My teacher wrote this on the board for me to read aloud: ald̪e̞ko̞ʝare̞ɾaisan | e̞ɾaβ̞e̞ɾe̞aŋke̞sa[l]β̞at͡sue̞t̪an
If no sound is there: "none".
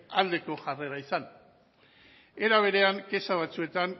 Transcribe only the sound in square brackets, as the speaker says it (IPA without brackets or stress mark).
none